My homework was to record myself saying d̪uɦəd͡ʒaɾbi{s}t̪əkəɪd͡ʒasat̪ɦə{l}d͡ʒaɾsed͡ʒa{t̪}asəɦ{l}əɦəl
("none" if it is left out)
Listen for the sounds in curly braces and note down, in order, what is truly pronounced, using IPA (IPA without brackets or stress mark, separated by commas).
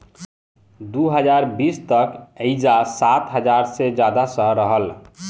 s, none, d̪, ɾ